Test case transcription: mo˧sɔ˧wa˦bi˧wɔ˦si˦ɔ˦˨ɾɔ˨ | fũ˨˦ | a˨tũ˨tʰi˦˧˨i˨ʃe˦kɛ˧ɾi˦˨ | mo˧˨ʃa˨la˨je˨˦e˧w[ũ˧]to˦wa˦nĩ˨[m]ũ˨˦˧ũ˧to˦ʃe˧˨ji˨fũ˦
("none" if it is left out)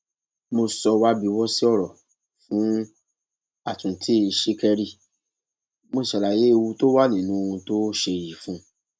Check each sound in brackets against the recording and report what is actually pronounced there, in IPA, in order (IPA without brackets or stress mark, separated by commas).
u˧, n